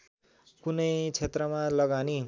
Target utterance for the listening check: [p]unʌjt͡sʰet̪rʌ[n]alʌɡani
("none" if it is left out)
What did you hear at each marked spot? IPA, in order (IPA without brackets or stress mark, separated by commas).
k, m